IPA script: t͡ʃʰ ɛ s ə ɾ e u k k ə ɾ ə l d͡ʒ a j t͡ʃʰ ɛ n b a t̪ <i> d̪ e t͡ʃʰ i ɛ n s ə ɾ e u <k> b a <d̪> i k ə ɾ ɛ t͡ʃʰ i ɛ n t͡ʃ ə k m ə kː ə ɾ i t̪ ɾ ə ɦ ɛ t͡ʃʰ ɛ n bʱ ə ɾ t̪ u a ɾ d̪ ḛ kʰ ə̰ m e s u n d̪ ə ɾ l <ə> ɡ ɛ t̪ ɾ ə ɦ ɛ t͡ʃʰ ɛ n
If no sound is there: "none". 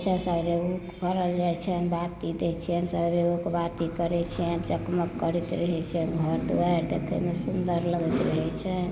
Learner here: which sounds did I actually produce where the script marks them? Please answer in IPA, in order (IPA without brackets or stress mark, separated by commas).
i, k, t̪, ə